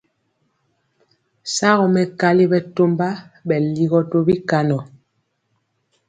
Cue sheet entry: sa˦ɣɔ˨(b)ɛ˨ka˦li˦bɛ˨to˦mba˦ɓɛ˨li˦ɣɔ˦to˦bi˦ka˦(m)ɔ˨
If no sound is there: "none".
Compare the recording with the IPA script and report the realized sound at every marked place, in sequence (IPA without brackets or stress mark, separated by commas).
m, n